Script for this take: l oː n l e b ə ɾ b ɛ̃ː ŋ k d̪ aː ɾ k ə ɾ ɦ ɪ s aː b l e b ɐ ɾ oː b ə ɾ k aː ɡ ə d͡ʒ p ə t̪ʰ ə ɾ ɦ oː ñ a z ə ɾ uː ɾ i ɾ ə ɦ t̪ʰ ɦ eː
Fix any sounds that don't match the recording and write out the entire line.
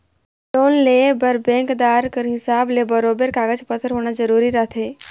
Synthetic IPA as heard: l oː n l e b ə ɾ b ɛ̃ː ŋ k d̪ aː ɾ k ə ɾ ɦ ɪ s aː b l e b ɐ ɾ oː b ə ɾ k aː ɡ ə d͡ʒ p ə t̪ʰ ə ɾ ɦ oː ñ a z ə ɾ uː ɾ i ɾ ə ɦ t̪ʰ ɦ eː